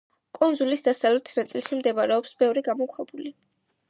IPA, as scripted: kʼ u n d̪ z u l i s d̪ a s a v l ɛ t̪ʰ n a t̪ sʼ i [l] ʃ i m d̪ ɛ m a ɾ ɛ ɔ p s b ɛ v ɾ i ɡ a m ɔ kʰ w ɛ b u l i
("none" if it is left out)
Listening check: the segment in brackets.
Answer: l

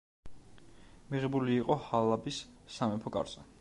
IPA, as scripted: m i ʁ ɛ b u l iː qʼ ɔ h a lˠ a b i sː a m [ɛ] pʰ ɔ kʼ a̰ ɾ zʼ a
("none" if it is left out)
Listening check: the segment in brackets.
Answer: ɛ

